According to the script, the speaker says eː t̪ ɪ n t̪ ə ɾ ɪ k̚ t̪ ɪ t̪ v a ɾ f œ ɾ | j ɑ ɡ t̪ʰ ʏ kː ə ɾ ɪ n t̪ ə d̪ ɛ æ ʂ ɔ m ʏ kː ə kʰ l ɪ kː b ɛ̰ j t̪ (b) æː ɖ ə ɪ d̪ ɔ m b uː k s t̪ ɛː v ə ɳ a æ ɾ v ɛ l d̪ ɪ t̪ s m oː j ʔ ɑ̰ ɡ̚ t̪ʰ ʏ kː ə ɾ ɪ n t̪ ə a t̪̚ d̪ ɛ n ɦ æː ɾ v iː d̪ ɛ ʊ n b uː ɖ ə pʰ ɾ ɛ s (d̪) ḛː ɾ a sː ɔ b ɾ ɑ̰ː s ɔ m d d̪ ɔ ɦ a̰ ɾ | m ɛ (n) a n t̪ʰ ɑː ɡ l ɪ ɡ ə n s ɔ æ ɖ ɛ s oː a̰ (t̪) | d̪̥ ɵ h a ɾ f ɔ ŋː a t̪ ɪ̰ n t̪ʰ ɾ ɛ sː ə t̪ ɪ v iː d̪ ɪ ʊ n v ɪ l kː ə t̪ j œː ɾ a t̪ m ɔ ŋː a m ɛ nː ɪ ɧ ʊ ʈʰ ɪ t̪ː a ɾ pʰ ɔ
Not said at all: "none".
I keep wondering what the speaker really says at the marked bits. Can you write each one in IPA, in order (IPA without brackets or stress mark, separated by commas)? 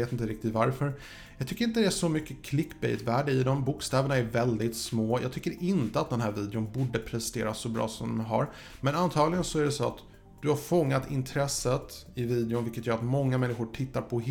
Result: v, t̪, n, t̪